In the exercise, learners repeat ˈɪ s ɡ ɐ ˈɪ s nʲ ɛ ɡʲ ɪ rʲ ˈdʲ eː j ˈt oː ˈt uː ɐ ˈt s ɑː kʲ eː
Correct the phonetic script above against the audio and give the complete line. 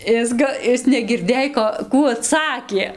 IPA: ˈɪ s ɡ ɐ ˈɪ s nʲ ɛ ɡʲ ɪ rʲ ˈdʲ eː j ˈk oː ˈk uː ɐ ˈt s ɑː kʲ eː